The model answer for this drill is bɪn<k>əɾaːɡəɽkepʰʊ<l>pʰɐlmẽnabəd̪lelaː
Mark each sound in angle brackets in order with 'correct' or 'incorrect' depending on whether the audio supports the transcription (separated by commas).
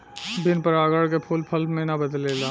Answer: incorrect, correct